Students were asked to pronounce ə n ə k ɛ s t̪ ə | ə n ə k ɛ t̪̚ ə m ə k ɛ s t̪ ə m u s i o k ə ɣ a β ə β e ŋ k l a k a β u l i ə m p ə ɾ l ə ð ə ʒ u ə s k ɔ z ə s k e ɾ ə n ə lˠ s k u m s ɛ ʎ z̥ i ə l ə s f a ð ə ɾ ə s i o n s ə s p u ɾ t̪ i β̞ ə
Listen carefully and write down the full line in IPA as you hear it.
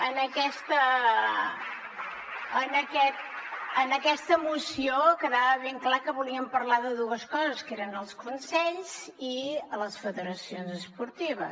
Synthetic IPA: ə n ə k ɛ s t̪ ə | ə n ə k ɛ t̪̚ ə n ə k ɛ s t̪ ə m u s i o k ə ð a β ə β e ŋ k l a k ə β u l i ə m p ə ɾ l a ð ə ð u ə s k ɔ z ə s k e ɾ ə n ə lˠ s k u n s ɛ ʎ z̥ i ə l ə s f ə ð ə ɾ ə s i o n z ə s p u ɾ t̪ i β̞ ə